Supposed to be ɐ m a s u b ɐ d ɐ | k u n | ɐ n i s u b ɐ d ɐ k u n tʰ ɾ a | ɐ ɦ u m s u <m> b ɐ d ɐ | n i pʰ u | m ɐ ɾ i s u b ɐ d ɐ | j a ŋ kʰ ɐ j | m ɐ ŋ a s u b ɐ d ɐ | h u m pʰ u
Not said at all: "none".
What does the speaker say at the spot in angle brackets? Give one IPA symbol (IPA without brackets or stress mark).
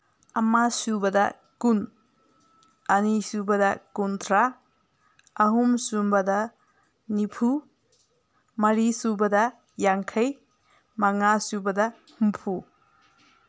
m